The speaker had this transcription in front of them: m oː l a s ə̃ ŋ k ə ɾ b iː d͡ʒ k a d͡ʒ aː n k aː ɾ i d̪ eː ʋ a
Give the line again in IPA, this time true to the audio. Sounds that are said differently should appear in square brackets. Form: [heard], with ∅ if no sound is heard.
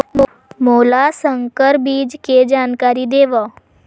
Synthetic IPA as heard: m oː l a s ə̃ ŋ k ə ɾ b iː d͡ʒ k [e] d͡ʒ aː n k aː ɾ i d̪ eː ʋ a